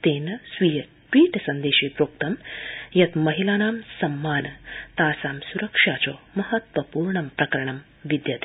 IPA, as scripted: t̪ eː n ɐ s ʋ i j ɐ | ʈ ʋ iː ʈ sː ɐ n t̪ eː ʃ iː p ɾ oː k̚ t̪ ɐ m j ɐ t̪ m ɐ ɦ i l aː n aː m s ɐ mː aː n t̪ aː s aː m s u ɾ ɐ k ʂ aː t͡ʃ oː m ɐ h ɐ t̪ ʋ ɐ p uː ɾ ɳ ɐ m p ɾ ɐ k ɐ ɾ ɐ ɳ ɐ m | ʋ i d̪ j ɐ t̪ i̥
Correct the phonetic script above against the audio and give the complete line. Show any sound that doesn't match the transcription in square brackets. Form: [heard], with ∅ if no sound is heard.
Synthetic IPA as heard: t̪ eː n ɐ s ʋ i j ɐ | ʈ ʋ iː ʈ [s] ɐ n [d̪] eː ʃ iː p ɾ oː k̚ t̪ ɐ m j ɐ t̪ m ɐ ɦ i l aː n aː m s ɐ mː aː n t̪ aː s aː m s u ɾ ɐ k ʂ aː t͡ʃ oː m ɐ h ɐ t̪ ʋ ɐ p uː ɾ ɳ ɐ m p ɾ ɐ k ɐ ɾ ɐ ɳ ɐ m | ʋ i d̪ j ɐ t̪ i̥